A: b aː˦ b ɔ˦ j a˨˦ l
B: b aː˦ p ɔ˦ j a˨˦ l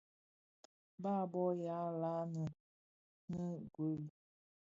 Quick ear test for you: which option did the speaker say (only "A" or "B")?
A